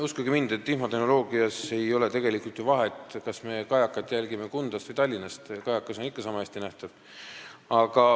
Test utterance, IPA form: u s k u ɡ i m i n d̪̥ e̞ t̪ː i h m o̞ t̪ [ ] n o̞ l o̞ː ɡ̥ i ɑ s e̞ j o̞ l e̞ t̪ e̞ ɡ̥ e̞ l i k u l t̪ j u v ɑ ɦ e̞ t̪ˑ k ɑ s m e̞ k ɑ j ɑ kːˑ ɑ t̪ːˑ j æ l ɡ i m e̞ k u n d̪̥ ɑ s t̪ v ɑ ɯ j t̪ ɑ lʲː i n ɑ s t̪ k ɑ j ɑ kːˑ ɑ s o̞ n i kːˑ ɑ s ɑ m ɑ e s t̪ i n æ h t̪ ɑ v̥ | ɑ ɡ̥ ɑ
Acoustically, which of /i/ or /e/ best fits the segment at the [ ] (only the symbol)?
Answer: e